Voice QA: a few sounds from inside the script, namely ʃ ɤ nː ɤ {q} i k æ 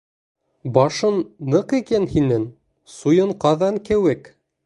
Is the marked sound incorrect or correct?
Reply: correct